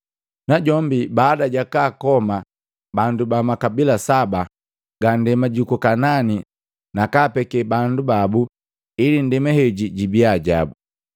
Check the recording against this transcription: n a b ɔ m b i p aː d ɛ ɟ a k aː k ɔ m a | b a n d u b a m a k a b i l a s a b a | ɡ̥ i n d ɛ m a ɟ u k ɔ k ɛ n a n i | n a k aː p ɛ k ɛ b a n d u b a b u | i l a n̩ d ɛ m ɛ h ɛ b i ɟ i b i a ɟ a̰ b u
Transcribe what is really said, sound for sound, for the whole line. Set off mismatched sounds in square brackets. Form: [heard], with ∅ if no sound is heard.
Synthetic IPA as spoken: n a [ɟ] ɔ m b i [b] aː d [a] ɟ a k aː k ɔ m a | b a n d u b a m a k a b i l a s a b a | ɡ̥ [a] n d ɛ m a ɟ u k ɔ k [a] n a n i | n a k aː p ɛ k ɛ b a n d u b a b u | i l [i] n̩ d ɛ m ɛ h ɛ [ɟ] i ɟ i b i a ɟ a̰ b u